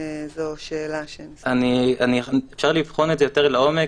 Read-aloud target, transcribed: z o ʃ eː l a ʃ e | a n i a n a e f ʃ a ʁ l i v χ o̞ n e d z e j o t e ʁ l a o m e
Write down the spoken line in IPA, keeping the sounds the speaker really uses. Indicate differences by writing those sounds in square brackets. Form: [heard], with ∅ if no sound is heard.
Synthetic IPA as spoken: z o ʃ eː l a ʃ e | a n i a n [i] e f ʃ a ʁ l i v χ o̞ n e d z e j o t e ʁ l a o m e